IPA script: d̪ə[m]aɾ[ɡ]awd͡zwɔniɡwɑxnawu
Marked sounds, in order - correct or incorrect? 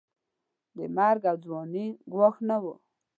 correct, correct

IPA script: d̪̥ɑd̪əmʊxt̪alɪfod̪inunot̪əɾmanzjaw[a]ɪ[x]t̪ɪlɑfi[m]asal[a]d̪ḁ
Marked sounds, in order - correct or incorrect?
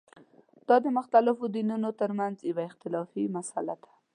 correct, correct, correct, correct

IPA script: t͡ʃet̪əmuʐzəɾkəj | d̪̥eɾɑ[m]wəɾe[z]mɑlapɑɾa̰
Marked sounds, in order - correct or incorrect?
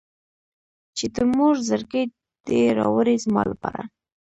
incorrect: none, correct

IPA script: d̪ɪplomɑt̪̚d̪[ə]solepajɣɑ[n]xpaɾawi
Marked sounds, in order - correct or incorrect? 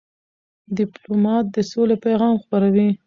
correct, incorrect: m

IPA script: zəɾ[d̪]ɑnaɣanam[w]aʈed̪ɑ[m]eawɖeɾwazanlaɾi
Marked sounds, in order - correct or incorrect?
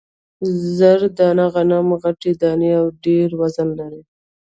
correct, incorrect: ɣ, incorrect: n

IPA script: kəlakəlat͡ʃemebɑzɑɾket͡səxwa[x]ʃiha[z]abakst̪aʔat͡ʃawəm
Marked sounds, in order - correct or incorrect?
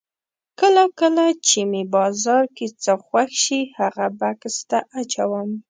correct, incorrect: ɣ

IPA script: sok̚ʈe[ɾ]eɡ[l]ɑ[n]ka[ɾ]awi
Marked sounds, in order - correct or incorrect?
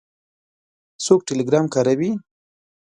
incorrect: l, incorrect: ɾ, incorrect: m, correct

